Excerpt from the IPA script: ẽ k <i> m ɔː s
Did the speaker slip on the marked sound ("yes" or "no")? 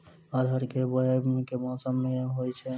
yes